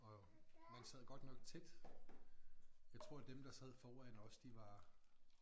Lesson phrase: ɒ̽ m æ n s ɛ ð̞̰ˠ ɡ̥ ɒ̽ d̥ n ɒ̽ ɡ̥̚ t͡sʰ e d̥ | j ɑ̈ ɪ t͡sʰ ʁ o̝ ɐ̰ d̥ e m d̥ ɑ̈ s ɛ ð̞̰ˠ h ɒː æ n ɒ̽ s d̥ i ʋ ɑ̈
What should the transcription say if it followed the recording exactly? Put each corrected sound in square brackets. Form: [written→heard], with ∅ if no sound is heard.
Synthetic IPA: ɒ̽ m æ n s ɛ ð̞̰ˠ ɡ̥ ɒ̽ d̥ n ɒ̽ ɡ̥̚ t͡sʰ e d̥ | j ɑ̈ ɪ t͡sʰ ʁ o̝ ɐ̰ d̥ e m d̥ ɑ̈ s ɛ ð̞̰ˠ [h→f] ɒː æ n ɒ̽ s d̥ i ʋ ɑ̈